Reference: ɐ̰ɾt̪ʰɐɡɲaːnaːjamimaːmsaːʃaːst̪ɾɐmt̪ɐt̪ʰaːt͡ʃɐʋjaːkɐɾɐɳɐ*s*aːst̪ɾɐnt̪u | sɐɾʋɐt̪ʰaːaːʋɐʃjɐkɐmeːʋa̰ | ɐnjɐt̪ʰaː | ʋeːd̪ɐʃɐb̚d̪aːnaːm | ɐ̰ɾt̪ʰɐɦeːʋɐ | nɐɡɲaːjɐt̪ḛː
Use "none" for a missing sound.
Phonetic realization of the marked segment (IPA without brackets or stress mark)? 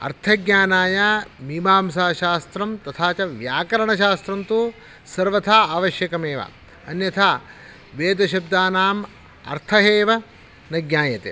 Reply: ʃ